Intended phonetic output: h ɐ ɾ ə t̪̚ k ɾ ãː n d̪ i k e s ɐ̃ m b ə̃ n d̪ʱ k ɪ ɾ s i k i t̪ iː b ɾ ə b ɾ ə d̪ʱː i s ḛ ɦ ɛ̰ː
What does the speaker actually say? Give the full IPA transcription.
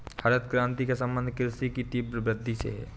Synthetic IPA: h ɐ ɾ ə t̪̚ k ɾ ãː n t̪ i k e s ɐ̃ m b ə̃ n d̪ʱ k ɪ ɾ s i k i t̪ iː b ɾ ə b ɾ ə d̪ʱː i s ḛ ɦ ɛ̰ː